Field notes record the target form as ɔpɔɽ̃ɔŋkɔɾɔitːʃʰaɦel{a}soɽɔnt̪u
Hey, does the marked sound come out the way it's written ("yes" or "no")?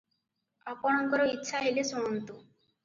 no